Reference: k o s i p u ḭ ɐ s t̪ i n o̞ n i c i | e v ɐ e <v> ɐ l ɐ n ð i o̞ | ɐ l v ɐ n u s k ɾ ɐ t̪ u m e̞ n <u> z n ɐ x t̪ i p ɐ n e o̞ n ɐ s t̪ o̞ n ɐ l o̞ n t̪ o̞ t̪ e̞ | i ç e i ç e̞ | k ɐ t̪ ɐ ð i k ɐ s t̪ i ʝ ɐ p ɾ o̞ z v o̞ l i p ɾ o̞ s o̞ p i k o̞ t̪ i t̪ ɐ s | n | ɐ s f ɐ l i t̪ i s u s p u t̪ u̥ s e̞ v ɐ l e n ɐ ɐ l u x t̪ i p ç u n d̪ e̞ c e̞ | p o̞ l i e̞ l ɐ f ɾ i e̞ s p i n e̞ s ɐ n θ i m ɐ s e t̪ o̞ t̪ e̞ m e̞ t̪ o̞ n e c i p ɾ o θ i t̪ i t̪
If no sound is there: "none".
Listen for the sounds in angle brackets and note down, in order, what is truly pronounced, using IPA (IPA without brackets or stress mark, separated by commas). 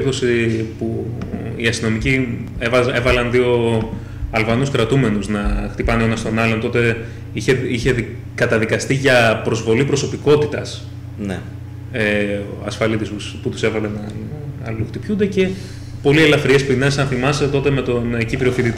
v, u